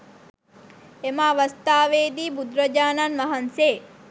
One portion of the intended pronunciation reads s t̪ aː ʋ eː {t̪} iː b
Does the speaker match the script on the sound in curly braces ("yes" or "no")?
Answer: no